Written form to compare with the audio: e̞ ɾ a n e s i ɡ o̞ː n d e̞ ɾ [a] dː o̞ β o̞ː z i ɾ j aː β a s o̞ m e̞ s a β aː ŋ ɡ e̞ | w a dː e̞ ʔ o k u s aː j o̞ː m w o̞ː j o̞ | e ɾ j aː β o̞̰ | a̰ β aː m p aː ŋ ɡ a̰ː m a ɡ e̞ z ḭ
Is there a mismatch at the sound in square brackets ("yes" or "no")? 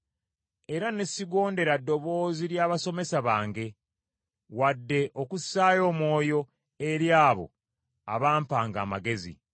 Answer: no